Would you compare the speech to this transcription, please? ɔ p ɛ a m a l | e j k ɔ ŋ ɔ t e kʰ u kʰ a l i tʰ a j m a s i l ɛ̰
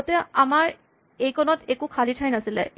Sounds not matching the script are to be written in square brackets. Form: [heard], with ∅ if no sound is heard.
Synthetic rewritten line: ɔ [t] ɛ a m a [ɹ] | e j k ɔ [n] ɔ t e [k] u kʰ a l i tʰ a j [n] a s i l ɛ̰

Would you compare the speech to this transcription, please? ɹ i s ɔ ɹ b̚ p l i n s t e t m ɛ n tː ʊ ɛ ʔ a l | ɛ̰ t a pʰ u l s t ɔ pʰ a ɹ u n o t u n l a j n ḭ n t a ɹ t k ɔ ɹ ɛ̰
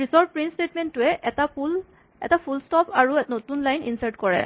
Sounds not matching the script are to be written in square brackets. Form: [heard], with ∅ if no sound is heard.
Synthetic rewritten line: ɹ i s ɔ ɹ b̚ p [ɹ] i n s t e t m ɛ n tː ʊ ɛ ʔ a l | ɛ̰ t a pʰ u l s t ɔ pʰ a ɹ u n o t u n l a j n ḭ n [s] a ɹ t k ɔ ɹ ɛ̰

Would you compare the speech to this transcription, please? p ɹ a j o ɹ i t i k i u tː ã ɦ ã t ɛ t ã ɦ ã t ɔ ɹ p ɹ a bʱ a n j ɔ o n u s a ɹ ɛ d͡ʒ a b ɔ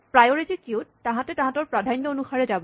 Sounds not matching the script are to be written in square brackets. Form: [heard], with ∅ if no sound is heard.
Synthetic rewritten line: p ɹ a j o ɹ i t i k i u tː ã ɦ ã t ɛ t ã ɦ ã t ɔ ɹ p ɹ a [dʱ] a n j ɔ o n u [x] a ɹ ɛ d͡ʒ a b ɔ

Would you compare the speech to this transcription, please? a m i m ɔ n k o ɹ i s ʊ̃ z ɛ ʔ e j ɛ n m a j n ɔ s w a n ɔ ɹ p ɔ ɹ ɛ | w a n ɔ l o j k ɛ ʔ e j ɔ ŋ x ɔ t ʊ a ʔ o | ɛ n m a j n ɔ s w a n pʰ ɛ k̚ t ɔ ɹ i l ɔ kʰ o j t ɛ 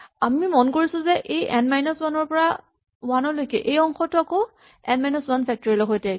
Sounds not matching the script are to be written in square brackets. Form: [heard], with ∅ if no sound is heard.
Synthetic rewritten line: a m i m ɔ n k o ɹ i s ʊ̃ z ɛ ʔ e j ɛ n m a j n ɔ s w a n ɔ ɹ p ɔ ɹ [a] | w a n ɔ l o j k ɛ ʔ e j ɔ ŋ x ɔ t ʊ a [k] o | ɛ n m a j n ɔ s w a n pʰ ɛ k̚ t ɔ ɹ i l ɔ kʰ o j t ɛ

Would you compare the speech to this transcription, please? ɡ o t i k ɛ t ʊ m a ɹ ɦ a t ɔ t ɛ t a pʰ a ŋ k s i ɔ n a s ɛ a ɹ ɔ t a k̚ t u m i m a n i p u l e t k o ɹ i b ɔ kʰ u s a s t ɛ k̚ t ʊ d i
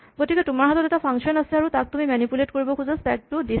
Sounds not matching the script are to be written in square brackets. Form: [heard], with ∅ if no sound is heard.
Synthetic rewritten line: ɡ o t i k ɛ t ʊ m a ɹ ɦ a t ɔ t ɛ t a pʰ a ŋ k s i ɔ n a s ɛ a ɹ [u] t a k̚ t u m i m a n i p u l e t k o ɹ i b ɔ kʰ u [z] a s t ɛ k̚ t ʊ d i

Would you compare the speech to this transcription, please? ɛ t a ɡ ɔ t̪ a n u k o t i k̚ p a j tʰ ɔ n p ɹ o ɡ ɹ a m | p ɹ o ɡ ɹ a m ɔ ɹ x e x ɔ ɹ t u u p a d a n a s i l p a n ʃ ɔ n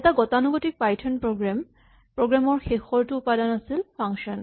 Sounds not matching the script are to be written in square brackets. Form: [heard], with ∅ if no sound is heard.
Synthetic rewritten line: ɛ t a ɡ ɔ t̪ a n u [ɡ] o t i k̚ p a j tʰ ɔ n p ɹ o ɡ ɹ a m | p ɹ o ɡ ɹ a m ɔ ɹ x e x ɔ ɹ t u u p a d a n a s i l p a [ŋ] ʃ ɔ n

